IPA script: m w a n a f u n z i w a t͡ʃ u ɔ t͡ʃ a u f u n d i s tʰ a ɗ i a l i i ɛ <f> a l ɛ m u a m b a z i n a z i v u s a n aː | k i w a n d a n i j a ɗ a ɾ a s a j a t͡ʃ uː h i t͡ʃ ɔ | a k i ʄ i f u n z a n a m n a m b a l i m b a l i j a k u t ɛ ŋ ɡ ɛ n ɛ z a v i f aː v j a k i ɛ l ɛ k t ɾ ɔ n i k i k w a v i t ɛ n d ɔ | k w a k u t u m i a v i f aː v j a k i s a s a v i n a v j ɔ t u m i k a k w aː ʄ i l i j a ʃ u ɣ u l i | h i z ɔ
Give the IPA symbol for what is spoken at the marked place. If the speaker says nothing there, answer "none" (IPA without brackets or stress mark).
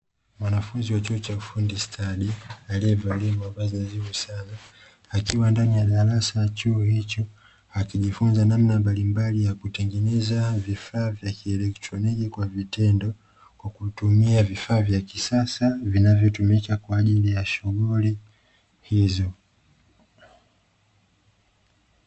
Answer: v